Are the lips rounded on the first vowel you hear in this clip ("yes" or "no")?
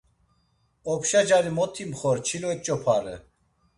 yes